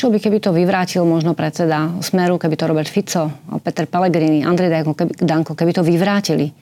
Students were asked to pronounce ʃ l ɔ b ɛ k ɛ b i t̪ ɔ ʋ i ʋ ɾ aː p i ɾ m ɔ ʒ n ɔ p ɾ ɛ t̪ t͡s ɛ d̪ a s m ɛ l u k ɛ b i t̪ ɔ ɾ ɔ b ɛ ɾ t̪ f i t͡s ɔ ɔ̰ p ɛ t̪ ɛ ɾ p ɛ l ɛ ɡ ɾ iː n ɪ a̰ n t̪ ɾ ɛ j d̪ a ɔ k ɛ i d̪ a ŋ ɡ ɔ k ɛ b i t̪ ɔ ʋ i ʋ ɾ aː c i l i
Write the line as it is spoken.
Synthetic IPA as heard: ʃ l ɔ b i k ɛ b i t̪ ɔ ʋ i ʋ ɾ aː c i l m ɔ ʒ n ɔ p ɾ ɛ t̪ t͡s ɛ d̪ a s m ɛ ɾ u k ɛ b i t̪ ɔ ɾ ɔ b ɛ ɾ t̪ f i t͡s ɔ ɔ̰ p ɛ t̪ ɛ ɾ p ɛ l ɛ ɡ ɾ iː n i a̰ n d̪ ɾ ɛ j d̪ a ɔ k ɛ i d̪ a ŋ k ɔ k ɛ b i t̪ ɔ ʋ i ʋ ɾ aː c i l i